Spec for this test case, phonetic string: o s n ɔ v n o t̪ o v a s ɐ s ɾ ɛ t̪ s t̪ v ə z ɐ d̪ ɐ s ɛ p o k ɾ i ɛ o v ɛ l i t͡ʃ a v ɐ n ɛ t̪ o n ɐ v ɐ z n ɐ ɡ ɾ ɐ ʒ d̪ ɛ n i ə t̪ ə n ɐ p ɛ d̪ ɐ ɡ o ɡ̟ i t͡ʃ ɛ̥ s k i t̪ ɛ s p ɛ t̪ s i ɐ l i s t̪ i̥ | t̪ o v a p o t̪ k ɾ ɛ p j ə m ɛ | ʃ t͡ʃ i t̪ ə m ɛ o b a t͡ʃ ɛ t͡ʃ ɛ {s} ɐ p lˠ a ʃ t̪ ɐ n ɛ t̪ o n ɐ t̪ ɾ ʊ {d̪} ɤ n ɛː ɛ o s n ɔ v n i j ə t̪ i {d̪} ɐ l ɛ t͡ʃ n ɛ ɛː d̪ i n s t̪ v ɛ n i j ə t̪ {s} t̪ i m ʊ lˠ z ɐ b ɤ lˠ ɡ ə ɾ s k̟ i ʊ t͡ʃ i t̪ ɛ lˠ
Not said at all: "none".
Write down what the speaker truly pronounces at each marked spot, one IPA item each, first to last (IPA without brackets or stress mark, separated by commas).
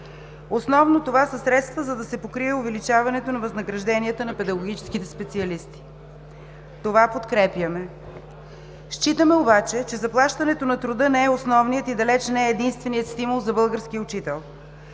z, d̪, d̪, s